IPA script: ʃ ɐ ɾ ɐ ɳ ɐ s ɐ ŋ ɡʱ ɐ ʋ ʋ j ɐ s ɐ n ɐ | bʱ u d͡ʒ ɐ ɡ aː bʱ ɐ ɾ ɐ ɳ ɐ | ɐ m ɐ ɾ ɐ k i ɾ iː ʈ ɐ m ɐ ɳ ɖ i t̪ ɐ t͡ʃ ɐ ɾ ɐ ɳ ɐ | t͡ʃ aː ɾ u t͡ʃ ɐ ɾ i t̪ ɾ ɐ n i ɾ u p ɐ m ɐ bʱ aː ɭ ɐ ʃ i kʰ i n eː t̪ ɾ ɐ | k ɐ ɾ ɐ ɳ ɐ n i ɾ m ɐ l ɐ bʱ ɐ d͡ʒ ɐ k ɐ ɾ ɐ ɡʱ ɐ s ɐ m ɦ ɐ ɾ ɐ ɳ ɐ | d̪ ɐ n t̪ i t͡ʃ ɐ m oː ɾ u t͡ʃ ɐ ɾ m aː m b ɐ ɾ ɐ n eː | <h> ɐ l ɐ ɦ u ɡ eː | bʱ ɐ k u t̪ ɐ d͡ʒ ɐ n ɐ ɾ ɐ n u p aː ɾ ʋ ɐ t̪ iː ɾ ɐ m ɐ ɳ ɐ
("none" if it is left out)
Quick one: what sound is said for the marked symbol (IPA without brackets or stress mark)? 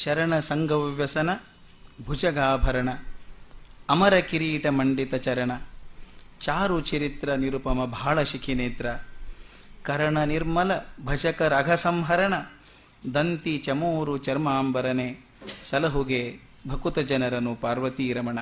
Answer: s